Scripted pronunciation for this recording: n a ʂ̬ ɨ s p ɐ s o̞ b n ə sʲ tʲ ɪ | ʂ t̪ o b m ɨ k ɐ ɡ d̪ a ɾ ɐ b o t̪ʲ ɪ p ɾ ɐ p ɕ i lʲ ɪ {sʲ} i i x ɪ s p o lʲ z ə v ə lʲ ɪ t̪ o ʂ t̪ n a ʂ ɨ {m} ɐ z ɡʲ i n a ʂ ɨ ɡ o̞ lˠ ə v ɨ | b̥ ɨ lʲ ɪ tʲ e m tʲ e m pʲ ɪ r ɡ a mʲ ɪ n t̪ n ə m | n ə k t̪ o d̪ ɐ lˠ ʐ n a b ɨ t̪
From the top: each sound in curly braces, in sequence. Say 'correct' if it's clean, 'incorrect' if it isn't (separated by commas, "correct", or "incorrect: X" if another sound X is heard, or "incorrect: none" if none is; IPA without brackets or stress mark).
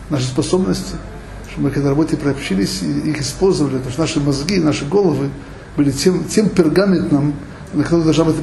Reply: correct, correct